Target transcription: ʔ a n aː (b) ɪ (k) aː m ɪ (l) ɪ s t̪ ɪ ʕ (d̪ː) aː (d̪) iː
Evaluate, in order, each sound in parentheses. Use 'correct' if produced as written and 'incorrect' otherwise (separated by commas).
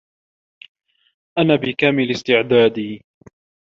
correct, correct, correct, incorrect, correct